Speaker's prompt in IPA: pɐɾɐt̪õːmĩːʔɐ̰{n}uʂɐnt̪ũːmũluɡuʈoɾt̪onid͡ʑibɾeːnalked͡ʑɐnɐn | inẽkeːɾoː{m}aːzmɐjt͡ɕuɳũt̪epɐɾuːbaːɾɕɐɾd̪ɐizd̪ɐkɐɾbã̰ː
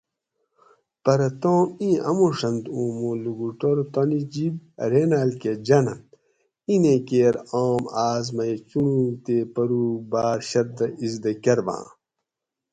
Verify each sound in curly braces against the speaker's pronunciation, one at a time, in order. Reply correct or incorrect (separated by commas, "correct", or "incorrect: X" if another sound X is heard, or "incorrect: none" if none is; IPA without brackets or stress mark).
incorrect: m, correct